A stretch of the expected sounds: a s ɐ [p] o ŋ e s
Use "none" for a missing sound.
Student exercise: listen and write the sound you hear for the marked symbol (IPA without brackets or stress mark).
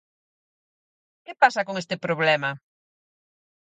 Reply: k